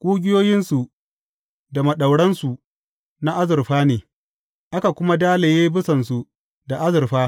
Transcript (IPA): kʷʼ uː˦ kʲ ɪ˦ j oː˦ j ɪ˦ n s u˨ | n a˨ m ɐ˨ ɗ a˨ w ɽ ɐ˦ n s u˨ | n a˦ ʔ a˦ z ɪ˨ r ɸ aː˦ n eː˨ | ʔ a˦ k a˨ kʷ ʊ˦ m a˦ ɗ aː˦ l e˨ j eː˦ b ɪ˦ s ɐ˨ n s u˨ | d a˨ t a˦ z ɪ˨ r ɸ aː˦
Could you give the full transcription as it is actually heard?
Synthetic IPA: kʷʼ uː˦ ɡʲ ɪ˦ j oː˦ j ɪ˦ n s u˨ | d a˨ m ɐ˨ ɗ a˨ w ɽ ɐ˦ n s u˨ | n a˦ ʔ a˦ z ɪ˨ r ɸ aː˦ n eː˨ | ʔ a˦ k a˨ kʷ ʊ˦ m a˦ d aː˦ l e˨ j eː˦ b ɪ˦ s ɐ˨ n s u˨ | d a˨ ʔ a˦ z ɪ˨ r ɸ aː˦